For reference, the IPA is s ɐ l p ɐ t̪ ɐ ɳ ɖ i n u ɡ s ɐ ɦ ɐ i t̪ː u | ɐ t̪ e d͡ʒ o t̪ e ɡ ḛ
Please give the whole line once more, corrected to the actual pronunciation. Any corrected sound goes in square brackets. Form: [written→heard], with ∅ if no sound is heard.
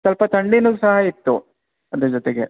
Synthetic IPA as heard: s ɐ l p ɐ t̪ ɐ ɳ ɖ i n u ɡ s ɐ ɦ ɐ i t̪ː u | ɐ [t̪→d̪] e d͡ʒ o t̪ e ɡ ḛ

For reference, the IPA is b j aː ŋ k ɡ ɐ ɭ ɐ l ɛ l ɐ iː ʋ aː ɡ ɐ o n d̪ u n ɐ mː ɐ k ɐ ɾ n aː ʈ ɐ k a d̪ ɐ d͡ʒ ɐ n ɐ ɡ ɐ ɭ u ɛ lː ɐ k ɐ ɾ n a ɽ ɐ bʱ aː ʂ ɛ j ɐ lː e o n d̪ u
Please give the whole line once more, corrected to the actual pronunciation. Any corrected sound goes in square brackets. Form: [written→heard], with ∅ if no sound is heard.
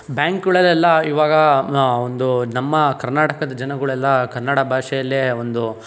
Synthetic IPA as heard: b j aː ŋ k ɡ ɐ ɭ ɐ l ɛ [l→lː] ɐ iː ʋ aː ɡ ɐ o n d̪ u n ɐ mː ɐ k ɐ ɾ n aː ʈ ɐ k [a→ɐ] d̪ ɐ d͡ʒ ɐ n ɐ ɡ ɐ ɭ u ɛ lː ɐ k ɐ ɾ n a ɽ ɐ bʱ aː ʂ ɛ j ɐ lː e o n d̪ u

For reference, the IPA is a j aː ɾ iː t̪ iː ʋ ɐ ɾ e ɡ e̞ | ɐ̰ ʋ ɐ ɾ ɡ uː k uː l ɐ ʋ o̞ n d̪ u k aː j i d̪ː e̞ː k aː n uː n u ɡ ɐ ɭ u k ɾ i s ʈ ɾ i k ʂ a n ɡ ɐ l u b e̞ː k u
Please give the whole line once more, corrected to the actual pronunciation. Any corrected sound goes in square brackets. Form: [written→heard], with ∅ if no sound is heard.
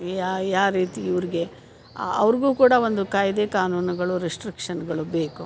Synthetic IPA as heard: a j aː ɾ iː t̪ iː ʋ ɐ ɾ [e→i] ɡ e̞ | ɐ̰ ʋ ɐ ɾ ɡ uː k uː [l→ɽ] ɐ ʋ o̞ n d̪ u k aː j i [d̪ː→d̪] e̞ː k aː n uː n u ɡ ɐ ɭ u [k→∅] ɾ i s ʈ ɾ i k ʂ [a→ɐ] n ɡ ɐ [l→ɭ] u b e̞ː k u

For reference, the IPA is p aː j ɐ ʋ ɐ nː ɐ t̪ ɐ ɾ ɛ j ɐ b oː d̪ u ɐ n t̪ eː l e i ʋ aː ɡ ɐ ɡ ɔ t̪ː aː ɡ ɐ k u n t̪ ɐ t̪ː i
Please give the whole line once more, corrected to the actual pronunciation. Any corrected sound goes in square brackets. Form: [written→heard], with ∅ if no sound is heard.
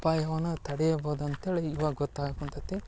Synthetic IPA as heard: p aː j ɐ ʋ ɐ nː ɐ t̪ ɐ [ɾ→ɽ] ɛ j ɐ b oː d̪ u ɐ n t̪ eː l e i ʋ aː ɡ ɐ ɡ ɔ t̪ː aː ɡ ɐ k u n t̪ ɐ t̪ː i

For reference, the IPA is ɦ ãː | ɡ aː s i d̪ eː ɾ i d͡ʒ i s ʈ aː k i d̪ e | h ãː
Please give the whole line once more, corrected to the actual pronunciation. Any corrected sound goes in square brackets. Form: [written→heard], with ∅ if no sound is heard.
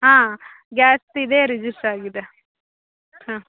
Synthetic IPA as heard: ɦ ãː | ɡ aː s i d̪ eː ɾ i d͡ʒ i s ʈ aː [k→ɡ] i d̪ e | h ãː

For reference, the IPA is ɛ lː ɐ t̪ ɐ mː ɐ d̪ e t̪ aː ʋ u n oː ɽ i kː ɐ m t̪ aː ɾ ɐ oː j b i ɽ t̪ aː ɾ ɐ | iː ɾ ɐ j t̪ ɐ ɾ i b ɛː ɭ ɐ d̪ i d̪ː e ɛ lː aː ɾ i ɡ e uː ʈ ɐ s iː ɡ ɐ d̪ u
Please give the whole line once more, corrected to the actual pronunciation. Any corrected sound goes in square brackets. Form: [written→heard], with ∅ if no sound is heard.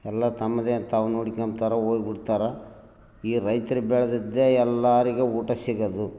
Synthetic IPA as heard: ɛ lː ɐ t̪ ɐ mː ɐ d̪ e t̪ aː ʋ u n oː ɽ i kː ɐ m t̪ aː ɾ ɐ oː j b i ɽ t̪ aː ɾ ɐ | iː ɾ ɐ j t̪ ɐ ɾ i b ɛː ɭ ɐ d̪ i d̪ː e ɛ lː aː ɾ i ɡ e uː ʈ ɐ s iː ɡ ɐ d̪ u

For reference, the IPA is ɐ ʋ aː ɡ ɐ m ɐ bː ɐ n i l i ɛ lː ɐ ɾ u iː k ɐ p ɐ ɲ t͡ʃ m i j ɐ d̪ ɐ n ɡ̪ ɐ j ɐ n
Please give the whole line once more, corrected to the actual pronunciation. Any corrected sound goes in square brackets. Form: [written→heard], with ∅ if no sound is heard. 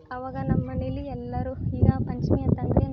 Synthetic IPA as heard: ɐ ʋ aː ɡ ɐ [m→n] ɐ [bː→mː] ɐ n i l i ɛ lː ɐ ɾ u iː [k→ɡ] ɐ p ɐ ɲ t͡ʃ m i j ɐ [d̪→t̪] ɐ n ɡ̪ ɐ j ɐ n

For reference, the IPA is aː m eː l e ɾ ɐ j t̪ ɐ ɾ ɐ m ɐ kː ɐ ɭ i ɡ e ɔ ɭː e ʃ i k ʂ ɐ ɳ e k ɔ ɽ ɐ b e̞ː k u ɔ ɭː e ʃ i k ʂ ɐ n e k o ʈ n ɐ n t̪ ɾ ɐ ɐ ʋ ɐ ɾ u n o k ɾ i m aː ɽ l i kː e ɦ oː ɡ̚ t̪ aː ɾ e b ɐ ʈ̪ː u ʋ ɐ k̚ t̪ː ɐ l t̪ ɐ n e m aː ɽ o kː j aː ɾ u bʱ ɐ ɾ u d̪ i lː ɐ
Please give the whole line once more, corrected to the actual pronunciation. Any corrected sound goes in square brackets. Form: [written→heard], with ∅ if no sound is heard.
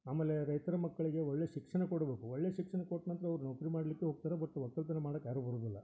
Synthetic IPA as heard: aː m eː l e ɾ ɐ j t̪ ɐ ɾ ɐ m ɐ kː ɐ ɭ i ɡ e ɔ ɭː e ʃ i k ʂ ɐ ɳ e k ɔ ɽ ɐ b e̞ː k u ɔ ɭː e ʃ i k ʂ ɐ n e k o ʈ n ɐ n t̪ ɾ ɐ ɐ ʋ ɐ ɾ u n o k ɾ i m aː ɽ l i kː e ɦ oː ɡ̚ t̪ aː ɾ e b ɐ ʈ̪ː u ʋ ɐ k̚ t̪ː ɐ l t̪ ɐ n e m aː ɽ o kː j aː ɾ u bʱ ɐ ɾ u d̪ i lː ɐ

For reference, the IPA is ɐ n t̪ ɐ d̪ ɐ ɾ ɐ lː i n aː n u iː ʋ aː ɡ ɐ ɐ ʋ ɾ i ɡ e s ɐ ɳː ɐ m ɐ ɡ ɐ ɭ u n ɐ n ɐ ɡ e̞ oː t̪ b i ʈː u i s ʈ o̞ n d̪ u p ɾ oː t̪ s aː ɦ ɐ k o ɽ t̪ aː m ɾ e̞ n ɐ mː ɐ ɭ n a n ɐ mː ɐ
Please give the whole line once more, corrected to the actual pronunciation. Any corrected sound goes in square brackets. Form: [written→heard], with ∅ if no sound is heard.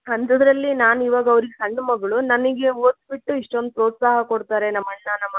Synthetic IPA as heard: ɐ n t̪ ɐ d̪ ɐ ɾ ɐ lː i n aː n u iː ʋ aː ɡ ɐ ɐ ʋ ɾ i ɡ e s ɐ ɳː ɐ m ɐ ɡ ɐ ɭ u n ɐ n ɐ ɡ e̞ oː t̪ b i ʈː u i [s→ʂ] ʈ o̞ n d̪ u p ɾ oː t̪ s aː ɦ ɐ k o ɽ t̪ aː [m→∅] ɾ e̞ n ɐ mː ɐ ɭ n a n ɐ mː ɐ

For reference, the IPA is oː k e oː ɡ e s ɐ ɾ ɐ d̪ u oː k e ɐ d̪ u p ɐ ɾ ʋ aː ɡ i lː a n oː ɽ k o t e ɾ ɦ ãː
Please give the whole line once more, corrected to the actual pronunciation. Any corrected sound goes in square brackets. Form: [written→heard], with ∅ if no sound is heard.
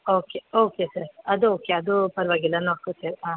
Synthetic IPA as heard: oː k e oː [ɡ→k] e s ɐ ɾ ɐ d̪ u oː k e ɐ d̪ u p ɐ ɾ ʋ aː ɡ i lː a n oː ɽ k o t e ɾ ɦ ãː

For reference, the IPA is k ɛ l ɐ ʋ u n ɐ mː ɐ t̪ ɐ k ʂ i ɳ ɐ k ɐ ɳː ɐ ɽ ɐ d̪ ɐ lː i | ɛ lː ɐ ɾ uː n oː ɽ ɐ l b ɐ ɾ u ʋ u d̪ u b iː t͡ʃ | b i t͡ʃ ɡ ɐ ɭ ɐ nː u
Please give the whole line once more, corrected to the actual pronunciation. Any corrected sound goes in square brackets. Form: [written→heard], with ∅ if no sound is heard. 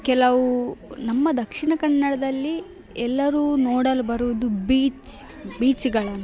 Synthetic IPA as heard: k ɛ l ɐ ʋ u n ɐ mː ɐ [t̪→d̪] ɐ k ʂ i ɳ ɐ k ɐ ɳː ɐ ɽ ɐ d̪ ɐ lː i | ɛ lː ɐ ɾ uː n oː ɽ ɐ l b ɐ ɾ u ʋ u d̪ u b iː t͡ʃ | b [i→iː] t͡ʃ ɡ ɐ ɭ ɐ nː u

